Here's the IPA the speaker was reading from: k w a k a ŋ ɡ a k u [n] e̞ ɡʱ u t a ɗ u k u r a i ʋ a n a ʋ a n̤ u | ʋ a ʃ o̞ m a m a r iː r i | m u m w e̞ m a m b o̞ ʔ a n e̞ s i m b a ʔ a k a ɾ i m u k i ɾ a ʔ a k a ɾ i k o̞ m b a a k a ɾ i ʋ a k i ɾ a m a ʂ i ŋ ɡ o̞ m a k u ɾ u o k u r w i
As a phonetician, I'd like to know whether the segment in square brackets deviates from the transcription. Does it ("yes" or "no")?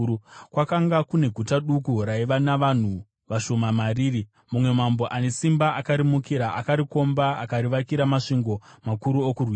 no